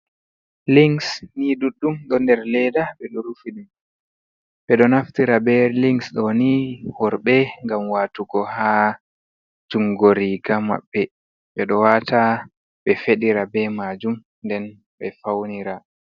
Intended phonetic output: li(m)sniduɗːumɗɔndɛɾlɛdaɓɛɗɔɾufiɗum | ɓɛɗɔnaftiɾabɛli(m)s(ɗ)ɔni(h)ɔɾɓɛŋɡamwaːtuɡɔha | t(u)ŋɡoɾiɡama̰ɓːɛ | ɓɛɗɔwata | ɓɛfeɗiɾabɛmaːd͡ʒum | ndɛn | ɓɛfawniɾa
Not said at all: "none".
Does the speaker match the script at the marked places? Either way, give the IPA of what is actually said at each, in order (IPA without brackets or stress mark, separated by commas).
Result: ŋ, ŋ, ɗ, h, u